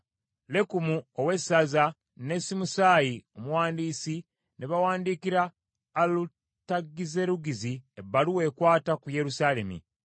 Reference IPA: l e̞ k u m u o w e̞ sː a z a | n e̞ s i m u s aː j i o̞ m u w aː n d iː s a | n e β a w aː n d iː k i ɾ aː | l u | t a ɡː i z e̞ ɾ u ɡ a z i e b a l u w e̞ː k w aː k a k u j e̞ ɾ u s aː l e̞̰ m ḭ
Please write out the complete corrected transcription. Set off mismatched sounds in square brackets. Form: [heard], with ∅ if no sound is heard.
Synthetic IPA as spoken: l e̞ k u m u o w e̞ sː a z a | n e̞ s i m u s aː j i o̞ m u w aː n d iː s [i] | n e β a w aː n d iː k i ɾ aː | l u | t a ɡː i z e̞ ɾ u ɡ [i] z i e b a l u w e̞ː k w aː [t] a k u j e̞ ɾ u s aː l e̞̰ m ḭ